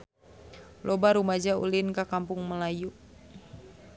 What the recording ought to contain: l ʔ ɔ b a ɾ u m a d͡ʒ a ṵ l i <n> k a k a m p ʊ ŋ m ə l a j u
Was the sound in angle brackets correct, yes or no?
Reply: yes